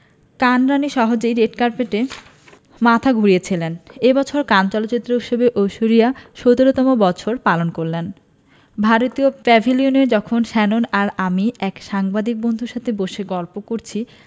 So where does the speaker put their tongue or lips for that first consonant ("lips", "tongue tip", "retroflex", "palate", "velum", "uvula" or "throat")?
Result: velum